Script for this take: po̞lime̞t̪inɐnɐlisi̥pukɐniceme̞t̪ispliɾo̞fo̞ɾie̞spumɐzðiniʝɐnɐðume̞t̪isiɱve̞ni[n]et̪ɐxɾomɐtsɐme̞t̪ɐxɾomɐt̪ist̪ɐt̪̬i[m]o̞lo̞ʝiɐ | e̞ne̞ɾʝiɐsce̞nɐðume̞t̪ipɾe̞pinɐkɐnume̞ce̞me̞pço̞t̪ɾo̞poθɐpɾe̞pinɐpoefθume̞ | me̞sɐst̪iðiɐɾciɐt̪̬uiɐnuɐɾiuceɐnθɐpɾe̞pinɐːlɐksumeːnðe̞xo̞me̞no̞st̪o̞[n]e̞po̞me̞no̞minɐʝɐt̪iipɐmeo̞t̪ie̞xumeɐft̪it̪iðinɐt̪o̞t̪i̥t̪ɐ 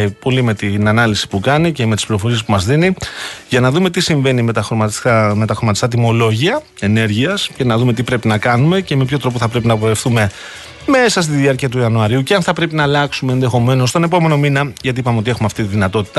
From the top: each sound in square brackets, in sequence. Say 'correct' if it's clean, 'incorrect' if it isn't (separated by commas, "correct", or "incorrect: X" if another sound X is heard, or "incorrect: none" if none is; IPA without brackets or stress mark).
incorrect: m, correct, correct